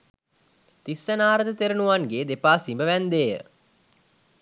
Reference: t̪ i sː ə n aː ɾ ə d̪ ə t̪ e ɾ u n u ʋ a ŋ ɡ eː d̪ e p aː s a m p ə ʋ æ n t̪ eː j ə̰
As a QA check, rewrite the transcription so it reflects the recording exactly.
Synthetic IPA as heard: t̪ i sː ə n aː ɾ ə d̪ ə t̪ e ɾ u n u ʋ a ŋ ɡ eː d̪ e p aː s i m b ə ʋ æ n d̪ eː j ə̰